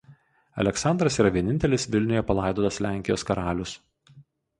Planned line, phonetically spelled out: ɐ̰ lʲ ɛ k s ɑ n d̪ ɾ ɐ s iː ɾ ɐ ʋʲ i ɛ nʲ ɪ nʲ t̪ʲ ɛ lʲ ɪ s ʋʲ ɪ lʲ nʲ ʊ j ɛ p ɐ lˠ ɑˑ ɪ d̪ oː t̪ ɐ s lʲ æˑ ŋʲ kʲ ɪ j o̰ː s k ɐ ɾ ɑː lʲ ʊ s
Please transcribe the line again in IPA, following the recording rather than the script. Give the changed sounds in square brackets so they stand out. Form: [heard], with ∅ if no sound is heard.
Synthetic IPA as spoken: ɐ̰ lʲ ɛ k s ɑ n d̪ ɾ ɐ s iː ɾ ɐ ʋʲ i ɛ nʲ ɪ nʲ t̪ʲ ɛ lʲ ɪ s ʋʲ ɪ lʲ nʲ ʊ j ɛ p ɐ lˠ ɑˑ ɪ d̪ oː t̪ ɐ s lʲ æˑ ŋʲ kʲ ɪ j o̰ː s k ɐ ɾ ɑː lʲ ʊ s